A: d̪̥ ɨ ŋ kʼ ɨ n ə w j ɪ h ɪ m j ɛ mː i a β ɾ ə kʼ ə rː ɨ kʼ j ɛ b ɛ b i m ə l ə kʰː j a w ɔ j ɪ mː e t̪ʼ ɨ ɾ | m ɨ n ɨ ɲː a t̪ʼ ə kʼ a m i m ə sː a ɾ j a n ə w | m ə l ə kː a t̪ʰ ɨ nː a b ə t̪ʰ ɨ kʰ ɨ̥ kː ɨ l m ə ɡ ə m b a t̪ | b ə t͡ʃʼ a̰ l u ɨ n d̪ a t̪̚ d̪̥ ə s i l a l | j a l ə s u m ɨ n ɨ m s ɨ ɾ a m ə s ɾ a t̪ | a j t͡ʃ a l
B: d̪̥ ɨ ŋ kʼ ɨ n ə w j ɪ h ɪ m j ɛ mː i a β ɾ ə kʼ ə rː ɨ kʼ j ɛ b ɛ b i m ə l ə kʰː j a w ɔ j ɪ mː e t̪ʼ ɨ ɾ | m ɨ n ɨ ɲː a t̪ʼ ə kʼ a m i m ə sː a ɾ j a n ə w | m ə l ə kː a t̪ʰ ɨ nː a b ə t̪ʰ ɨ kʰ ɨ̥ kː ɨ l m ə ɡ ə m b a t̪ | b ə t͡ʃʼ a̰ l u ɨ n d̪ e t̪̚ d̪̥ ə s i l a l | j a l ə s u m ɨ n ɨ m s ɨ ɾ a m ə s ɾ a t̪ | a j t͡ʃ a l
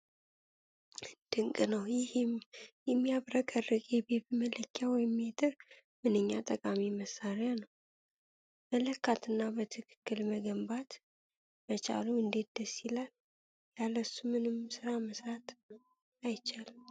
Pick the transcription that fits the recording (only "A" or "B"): B